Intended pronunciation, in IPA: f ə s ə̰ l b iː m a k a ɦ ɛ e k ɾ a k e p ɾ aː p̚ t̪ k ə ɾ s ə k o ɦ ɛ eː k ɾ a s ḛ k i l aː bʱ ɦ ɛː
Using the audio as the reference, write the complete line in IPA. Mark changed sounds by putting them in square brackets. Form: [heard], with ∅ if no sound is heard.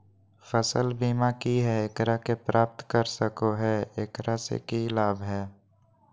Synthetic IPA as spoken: f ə s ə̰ l b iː m a k [i] ɦ ɛ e k ɾ a k e p ɾ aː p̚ t̪ k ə ɾ s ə k o ɦ ɛ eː k ɾ a s ḛ k i l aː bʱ ɦ ɛː